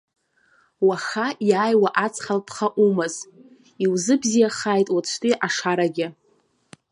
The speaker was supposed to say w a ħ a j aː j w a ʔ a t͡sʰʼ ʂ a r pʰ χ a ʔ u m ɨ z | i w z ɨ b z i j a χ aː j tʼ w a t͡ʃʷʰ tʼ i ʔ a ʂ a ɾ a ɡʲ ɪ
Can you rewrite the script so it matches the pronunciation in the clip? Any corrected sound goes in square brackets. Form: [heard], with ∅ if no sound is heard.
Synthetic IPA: w a [χ] a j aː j w a ʔ a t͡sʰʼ [χ] a [l] pʰ χ a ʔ u m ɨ z | i w z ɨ b z i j a χ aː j tʼ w a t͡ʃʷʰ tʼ i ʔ a ʂ a ɾ a ɡʲ ɪ

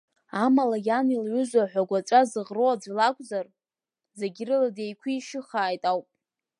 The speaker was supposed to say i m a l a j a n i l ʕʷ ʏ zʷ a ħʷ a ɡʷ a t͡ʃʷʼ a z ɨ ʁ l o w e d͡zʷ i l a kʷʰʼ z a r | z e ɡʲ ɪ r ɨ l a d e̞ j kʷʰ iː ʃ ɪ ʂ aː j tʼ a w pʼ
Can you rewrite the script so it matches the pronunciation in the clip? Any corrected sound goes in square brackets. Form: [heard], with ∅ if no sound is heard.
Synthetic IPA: [a] m a l a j a n i l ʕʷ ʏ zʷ a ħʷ a ɡʷ a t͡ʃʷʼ a z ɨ ʁ [r] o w [a] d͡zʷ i l a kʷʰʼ z a r | z e ɡʲ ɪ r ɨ l a d e̞ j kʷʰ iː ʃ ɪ [χ] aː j tʼ a w pʼ

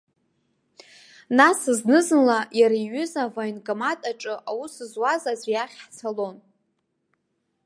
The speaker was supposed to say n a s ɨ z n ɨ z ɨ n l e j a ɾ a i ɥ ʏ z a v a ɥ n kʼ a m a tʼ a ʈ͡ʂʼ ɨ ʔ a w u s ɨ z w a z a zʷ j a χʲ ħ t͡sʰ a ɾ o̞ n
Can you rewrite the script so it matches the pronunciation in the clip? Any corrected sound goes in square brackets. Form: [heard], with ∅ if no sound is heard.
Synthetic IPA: n a s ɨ z n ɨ z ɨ n l [a] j a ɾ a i ɥ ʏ z a v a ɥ n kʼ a m a tʼ a ʈ͡ʂʼ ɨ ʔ a w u s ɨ z w a z a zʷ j a χʲ ħ t͡sʰ a [l] o̞ n

